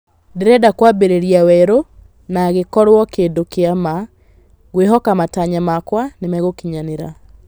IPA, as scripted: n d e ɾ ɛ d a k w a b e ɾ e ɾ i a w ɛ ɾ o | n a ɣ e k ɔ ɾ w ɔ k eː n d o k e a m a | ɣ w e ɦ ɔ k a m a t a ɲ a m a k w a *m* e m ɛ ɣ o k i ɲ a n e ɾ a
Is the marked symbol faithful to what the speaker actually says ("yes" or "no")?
no